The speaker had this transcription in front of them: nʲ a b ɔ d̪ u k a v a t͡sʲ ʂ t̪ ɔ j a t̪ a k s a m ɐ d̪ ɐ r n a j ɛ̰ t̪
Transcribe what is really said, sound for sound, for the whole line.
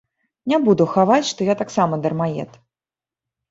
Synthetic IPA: nʲ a b u d̪ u x a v a t͡sʲ ʂ t̪ ɔ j a t̪ a k s a m ɐ d̪ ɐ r m a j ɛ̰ t̪